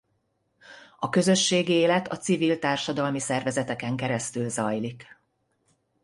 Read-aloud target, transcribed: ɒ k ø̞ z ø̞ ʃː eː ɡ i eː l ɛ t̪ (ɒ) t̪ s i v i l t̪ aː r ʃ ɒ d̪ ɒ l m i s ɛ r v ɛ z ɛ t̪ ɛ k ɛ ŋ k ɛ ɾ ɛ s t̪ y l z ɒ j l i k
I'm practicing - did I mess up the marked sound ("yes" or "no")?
no